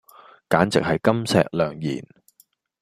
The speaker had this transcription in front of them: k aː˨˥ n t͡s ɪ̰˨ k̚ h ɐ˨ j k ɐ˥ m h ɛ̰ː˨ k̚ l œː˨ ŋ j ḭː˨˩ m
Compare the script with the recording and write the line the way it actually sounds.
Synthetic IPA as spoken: k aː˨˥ n t͡s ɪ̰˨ k̚ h ɐ˨ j k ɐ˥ m s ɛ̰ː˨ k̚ l œː˨ ŋ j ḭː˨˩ n

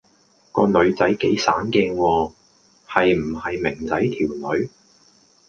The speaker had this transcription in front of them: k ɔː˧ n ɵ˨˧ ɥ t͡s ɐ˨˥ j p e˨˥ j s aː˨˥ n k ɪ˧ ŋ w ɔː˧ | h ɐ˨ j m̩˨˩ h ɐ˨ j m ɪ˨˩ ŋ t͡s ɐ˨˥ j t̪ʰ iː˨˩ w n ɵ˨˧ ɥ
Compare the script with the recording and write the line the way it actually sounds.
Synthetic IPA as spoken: k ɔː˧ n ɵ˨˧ ɥ t͡s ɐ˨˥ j k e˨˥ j s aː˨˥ n k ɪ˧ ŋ w ɔː˧ | h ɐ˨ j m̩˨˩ h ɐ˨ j m ɪ˨˩ ŋ t͡s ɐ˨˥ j t̪ʰ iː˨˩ w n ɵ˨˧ ɥ

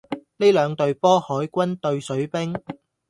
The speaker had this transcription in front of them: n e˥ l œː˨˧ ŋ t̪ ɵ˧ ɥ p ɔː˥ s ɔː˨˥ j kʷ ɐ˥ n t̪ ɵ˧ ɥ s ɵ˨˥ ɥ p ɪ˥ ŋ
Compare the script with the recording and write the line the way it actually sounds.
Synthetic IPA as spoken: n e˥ l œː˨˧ ŋ t̪ ɵ˧ ɥ p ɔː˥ h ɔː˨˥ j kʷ ɐ˥ n t̪ ɵ˧ ɥ s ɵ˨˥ ɥ p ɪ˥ ŋ

